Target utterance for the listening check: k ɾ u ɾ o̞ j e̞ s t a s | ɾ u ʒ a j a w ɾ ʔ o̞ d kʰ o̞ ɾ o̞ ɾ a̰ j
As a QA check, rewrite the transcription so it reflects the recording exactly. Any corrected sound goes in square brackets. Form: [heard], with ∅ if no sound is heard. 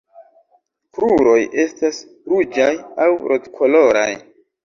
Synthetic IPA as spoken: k ɾ u ɾ o̞ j e̞ s t a s | ɾ u [d͡ʒ] a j a w ɾ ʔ o̞ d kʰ o̞ [l] o̞ ɾ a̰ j

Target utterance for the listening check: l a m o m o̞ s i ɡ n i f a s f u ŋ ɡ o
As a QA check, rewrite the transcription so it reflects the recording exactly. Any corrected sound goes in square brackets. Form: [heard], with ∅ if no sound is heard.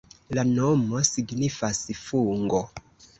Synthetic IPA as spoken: l a [n] o m o̞ s i ɡ n i f a s f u ŋ ɡ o

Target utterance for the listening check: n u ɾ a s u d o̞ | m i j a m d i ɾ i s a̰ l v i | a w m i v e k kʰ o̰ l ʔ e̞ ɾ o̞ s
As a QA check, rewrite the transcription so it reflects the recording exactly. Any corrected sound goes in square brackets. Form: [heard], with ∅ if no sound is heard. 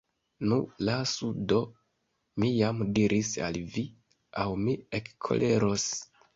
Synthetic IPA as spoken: n u [l] a s u d o̞ | m i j a m d i ɾ i s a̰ l v i | a w m i [∅] e k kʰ o̰ l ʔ e̞ ɾ o̞ s

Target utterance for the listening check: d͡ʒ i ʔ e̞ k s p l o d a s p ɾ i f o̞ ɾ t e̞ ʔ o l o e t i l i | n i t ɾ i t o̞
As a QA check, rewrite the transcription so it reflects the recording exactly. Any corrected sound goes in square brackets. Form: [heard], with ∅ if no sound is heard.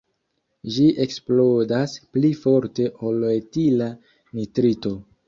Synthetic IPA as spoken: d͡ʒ i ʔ e̞ k s p l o d a s p [l] i f o̞ ɾ t e̞ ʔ o l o e t i l [a] | n i t ɾ i t o̞

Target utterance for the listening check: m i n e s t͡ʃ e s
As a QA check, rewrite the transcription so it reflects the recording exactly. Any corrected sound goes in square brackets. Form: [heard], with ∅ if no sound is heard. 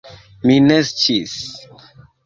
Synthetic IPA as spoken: m i n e s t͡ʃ [i] s

